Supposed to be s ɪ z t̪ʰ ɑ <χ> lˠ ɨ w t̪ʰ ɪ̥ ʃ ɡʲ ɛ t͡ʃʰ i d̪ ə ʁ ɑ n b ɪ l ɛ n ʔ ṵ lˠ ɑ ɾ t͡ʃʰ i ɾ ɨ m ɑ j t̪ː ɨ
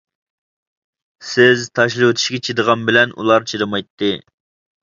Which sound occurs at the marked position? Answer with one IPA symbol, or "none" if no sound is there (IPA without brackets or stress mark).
ʃ